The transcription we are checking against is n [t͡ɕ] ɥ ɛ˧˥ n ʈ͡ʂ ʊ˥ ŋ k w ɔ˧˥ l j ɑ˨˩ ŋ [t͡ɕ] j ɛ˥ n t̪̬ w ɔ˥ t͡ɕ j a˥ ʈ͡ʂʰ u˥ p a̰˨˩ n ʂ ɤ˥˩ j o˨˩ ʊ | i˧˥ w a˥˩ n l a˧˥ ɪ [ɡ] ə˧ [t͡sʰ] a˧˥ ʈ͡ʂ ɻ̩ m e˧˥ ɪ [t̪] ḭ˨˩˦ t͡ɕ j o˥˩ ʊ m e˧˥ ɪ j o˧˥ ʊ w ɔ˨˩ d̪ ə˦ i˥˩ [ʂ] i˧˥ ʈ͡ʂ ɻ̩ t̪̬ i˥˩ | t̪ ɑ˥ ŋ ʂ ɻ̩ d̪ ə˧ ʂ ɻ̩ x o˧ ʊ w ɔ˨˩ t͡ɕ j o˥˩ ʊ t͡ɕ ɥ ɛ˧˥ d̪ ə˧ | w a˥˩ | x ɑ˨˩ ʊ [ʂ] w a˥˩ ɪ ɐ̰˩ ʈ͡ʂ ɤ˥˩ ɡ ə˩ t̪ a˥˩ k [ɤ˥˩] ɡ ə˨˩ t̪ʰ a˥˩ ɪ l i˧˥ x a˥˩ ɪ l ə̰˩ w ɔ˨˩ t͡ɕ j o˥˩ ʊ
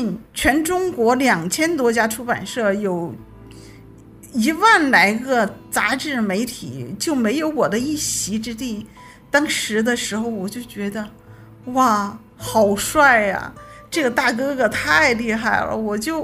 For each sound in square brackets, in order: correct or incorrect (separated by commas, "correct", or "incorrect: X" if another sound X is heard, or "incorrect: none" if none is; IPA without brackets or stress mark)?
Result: incorrect: t͡ɕʰ, incorrect: t͡ɕʰ, correct, incorrect: t͡s, incorrect: t̪ʰ, incorrect: ɕ, correct, incorrect: ɤ˥